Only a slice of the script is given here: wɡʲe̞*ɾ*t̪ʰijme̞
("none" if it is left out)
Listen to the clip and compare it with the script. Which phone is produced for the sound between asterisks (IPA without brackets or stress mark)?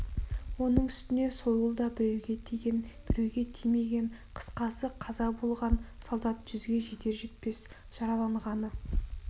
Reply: none